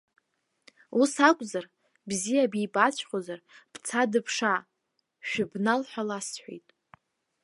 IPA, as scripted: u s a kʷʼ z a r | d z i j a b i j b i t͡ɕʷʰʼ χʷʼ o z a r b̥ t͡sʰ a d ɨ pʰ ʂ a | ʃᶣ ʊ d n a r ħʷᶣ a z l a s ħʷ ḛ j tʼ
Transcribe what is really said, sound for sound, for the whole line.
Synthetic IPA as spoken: u s a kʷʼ z a r | b z i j a b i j b a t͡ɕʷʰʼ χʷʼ o z a r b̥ t͡sʰ a d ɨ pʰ ʂ a | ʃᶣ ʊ b n a l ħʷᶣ a l a s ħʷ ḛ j tʼ